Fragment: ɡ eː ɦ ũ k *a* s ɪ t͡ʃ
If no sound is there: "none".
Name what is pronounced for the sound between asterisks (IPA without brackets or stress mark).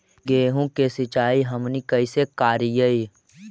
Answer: e